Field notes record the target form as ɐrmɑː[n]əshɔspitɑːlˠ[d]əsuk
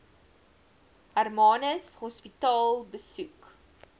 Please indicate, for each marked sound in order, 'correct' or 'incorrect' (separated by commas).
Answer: correct, incorrect